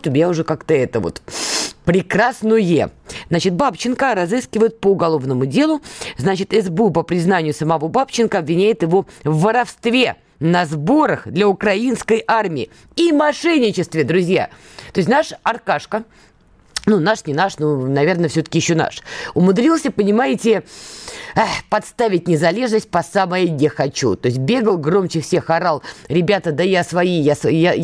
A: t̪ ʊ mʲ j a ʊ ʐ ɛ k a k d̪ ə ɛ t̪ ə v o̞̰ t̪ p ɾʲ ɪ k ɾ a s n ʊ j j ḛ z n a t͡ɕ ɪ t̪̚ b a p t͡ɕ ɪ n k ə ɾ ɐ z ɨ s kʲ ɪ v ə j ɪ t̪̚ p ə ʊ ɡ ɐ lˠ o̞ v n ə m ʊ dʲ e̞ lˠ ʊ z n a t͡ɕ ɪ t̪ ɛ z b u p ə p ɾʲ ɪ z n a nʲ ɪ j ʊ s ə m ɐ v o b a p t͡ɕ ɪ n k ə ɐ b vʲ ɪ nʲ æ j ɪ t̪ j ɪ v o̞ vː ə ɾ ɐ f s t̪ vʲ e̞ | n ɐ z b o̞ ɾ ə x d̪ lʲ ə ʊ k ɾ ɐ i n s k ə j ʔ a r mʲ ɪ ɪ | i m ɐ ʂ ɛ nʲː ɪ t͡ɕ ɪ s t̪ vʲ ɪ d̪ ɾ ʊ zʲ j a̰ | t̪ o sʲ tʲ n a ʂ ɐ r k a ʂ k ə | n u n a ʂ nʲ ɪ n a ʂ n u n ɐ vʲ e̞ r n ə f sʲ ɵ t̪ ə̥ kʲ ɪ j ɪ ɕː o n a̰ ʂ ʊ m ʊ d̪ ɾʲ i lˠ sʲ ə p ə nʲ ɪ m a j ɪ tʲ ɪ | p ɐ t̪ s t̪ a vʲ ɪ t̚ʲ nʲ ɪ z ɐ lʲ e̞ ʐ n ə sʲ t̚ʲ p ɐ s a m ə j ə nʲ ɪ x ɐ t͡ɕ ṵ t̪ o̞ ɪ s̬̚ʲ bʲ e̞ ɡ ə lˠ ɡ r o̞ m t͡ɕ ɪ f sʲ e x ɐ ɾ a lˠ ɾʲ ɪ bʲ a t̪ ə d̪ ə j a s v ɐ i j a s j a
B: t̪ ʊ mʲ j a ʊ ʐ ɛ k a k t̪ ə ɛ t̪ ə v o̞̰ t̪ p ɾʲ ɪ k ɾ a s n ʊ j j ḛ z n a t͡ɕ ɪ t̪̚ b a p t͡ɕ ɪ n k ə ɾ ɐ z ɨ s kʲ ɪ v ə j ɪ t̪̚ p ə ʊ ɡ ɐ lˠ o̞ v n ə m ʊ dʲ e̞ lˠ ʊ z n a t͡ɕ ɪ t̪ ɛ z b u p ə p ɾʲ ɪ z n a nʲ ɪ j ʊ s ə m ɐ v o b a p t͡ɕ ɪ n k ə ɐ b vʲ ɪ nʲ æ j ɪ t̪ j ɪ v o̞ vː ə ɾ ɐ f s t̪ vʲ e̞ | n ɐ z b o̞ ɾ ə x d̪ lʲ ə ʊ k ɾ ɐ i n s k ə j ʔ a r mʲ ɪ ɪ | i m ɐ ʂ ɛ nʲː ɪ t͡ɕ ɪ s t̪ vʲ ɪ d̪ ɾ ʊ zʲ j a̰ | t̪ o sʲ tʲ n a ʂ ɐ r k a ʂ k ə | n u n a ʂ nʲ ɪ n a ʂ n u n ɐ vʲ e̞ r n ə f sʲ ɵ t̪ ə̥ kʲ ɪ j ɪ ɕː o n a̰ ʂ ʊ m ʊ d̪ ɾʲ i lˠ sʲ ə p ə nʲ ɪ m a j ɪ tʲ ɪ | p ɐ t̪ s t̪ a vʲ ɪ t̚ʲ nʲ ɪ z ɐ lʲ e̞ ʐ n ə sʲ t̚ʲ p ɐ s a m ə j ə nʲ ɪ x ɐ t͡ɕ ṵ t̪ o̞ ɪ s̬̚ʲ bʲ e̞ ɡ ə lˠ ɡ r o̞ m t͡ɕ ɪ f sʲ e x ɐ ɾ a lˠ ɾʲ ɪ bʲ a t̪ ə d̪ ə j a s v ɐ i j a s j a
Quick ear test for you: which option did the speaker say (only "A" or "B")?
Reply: B